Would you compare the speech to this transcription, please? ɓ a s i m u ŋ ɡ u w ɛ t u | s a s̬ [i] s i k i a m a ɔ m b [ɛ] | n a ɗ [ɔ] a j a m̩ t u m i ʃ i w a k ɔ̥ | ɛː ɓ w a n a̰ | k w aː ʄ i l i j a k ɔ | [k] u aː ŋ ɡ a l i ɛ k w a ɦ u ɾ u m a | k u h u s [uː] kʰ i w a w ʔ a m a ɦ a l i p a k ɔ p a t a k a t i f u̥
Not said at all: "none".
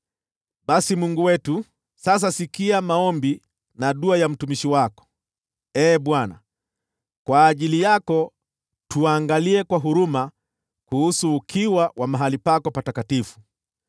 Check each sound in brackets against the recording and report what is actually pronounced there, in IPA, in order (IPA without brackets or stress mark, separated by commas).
a, i, u, t, uː